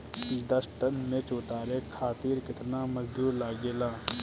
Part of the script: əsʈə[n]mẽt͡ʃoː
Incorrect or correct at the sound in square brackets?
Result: correct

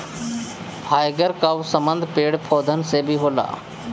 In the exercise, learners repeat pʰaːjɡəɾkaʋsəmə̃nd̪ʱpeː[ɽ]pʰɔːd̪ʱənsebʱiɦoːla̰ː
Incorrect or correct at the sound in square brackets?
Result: correct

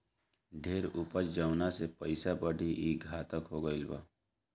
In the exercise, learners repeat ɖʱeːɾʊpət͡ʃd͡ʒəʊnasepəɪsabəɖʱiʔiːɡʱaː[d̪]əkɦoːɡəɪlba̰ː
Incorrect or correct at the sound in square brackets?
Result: incorrect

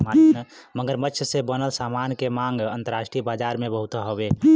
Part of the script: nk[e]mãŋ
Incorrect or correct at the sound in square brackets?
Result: correct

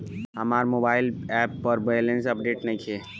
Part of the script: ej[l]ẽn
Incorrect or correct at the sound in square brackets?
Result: correct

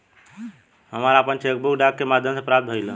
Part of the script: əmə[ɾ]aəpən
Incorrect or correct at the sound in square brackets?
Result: correct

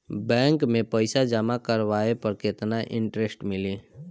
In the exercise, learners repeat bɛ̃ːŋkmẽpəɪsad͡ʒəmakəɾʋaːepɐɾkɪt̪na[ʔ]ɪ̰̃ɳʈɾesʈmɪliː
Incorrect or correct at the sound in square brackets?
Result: correct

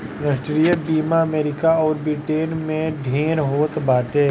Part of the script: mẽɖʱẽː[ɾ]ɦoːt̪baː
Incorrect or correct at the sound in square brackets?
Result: correct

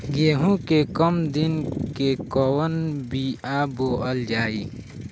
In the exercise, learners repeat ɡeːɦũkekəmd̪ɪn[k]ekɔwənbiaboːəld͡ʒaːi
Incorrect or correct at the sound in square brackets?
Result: correct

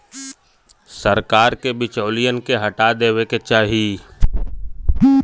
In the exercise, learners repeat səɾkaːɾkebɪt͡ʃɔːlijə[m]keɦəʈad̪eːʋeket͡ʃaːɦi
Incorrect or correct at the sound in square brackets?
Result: incorrect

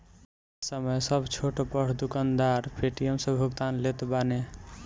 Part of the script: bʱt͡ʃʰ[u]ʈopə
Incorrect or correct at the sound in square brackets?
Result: incorrect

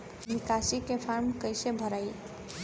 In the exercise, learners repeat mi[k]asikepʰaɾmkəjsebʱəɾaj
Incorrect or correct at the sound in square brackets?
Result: correct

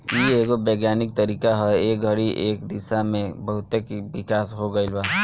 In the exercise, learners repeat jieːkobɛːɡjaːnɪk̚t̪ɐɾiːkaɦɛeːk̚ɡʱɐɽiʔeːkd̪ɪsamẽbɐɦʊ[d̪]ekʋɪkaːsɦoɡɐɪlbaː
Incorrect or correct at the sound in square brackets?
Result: incorrect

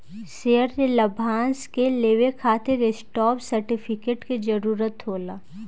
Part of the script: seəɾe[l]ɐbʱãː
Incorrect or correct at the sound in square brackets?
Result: correct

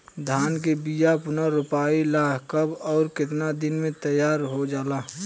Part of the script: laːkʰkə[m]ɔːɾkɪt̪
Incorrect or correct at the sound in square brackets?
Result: incorrect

